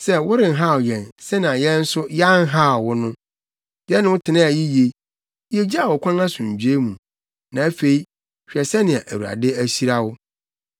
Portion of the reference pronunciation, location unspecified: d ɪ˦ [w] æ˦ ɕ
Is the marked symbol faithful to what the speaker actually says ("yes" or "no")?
no